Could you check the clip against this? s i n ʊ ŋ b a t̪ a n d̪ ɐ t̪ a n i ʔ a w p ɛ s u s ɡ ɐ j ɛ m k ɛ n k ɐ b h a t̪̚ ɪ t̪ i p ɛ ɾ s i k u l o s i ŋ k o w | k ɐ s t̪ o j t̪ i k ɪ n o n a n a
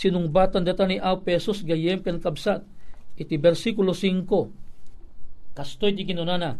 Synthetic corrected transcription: s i n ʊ ŋ b a t̪ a n d̪ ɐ t̪ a n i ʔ a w p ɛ s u s ɡ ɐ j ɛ m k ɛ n k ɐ b s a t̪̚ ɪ t̪ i b ɛ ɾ s i k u l o s i ŋ k o | k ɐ s t̪ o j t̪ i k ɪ n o n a n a